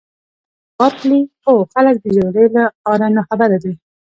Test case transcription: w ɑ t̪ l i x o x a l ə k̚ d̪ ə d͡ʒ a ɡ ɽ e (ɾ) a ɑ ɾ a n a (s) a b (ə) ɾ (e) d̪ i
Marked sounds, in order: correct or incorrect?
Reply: incorrect: l, incorrect: x, incorrect: a, incorrect: a

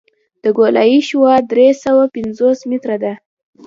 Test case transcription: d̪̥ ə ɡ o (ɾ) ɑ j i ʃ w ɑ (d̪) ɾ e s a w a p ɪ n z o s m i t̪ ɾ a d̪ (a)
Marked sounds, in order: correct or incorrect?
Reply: incorrect: l, correct, correct

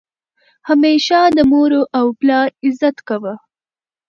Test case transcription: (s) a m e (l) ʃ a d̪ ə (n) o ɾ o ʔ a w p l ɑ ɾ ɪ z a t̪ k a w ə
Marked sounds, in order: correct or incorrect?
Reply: incorrect: h, incorrect: none, incorrect: m

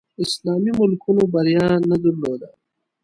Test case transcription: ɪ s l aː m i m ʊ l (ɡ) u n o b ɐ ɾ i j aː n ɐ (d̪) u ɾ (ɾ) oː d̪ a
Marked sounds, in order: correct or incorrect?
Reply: incorrect: k, correct, incorrect: l

